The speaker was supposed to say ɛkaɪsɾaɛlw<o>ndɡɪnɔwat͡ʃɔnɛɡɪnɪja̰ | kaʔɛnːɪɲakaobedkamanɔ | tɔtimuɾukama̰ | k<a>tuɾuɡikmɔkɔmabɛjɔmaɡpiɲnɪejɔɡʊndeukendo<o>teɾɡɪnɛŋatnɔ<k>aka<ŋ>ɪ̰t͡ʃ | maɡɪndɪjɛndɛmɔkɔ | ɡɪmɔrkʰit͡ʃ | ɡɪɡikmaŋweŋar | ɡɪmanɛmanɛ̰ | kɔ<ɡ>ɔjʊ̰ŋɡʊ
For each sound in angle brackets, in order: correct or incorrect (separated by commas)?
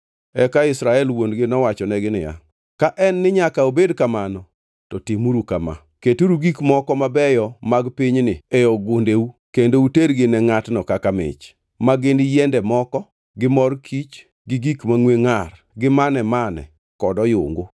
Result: correct, incorrect, incorrect, correct, incorrect, incorrect